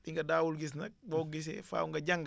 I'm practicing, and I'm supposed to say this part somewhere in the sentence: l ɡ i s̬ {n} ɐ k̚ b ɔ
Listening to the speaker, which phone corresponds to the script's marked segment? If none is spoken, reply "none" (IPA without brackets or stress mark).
n